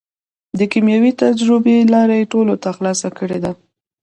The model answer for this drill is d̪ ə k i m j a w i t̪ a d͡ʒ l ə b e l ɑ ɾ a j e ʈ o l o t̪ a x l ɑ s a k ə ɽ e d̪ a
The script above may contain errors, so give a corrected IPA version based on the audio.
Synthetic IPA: d̪ ə k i m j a w i t̪ a d͡ʒ ɾ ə b e l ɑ ɾ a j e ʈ o l o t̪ a x l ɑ s a k ə ɽ e d̪ a